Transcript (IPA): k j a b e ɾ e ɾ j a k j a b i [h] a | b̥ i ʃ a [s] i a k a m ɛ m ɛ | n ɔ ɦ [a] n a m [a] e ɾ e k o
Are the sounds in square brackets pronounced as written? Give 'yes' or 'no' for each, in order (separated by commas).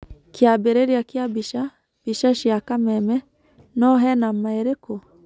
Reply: no, no, no, yes